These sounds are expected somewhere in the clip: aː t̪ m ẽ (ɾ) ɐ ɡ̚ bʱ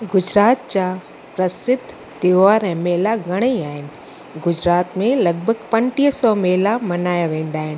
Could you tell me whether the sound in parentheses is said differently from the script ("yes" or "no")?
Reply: yes